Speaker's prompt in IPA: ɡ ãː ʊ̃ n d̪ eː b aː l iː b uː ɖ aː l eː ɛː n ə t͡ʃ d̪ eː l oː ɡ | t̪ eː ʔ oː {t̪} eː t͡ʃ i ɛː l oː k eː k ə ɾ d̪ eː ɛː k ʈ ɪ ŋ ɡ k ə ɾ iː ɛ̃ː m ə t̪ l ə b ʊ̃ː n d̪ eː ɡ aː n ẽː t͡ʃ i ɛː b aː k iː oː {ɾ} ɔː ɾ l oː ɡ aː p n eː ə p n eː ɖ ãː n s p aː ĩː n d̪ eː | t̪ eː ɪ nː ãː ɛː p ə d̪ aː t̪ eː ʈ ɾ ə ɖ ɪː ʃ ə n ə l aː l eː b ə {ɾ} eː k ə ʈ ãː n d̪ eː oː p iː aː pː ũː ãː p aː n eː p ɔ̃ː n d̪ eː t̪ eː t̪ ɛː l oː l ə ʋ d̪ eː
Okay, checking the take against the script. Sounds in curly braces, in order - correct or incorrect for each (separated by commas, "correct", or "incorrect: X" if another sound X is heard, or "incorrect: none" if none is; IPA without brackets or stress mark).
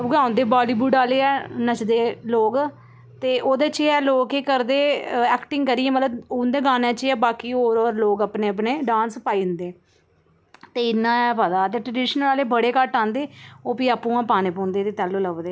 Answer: incorrect: d̪, correct, incorrect: ɽ